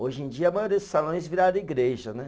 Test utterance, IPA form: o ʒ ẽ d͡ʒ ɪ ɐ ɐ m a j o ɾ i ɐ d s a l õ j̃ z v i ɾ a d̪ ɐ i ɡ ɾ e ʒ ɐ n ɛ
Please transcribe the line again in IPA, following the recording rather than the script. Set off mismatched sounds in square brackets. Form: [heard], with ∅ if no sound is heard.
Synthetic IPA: o ʒ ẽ d͡ʒ [i] ɐ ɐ m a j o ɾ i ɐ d s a l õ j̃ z v i ɾ a d̪ ɐ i ɡ ɾ e ʒ ɐ n ɛ